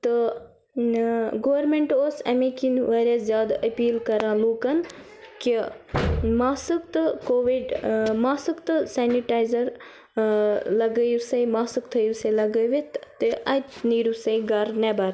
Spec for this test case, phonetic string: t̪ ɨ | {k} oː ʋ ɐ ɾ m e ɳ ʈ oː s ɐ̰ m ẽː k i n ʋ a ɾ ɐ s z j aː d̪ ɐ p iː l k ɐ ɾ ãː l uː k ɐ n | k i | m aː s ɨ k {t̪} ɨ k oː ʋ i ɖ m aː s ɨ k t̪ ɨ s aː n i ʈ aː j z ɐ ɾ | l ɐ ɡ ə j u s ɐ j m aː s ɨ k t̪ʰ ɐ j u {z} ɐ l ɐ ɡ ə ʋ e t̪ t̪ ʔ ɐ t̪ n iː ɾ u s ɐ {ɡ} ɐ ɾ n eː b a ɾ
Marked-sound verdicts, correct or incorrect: incorrect: ɡ, correct, incorrect: s, correct

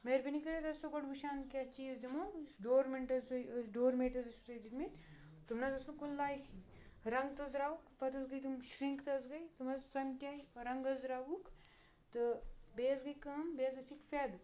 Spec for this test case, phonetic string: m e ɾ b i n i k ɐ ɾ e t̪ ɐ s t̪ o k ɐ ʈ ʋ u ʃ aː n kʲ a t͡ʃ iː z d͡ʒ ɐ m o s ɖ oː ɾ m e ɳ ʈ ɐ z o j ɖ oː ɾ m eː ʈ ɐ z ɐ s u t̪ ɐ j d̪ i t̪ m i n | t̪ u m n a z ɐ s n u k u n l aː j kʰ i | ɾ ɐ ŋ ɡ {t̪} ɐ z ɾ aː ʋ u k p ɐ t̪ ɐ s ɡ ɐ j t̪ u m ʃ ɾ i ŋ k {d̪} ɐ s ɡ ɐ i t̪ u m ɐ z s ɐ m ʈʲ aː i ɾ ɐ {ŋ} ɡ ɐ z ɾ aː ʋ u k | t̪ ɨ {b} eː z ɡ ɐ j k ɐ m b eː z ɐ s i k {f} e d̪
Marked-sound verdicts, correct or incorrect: correct, incorrect: t̪, correct, correct, correct

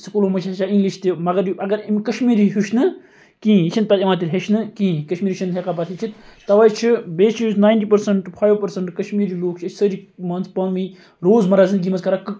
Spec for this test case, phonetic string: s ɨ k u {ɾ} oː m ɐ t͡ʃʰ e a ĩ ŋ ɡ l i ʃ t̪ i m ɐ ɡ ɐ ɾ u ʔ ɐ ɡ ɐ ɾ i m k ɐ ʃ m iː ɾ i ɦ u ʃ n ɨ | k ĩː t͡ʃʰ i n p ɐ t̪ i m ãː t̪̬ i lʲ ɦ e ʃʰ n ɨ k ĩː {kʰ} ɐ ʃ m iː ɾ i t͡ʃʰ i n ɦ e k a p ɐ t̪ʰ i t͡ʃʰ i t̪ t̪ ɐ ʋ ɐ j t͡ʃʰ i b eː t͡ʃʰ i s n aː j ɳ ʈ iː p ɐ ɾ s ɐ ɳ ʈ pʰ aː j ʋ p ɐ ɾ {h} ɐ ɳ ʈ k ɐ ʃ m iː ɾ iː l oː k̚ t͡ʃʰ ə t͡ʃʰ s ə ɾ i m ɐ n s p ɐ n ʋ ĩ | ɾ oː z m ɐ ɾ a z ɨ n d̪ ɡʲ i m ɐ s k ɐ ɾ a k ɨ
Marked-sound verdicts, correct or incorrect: incorrect: l, incorrect: k, incorrect: s

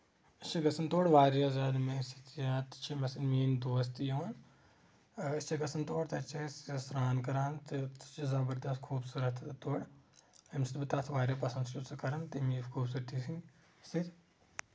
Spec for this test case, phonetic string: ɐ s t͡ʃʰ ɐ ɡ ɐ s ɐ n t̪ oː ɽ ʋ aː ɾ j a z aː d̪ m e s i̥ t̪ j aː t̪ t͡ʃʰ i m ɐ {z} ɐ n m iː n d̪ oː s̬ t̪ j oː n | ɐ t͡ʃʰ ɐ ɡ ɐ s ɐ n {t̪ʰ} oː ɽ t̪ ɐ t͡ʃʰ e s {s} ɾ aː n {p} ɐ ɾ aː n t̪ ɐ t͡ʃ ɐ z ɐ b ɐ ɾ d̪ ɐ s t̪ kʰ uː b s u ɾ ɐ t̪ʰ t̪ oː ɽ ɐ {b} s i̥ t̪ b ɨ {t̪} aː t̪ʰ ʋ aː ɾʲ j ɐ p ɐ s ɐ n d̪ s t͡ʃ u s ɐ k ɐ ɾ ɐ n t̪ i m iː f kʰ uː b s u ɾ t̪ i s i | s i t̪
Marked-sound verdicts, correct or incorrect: incorrect: s, incorrect: t̪, correct, incorrect: k, incorrect: m, correct

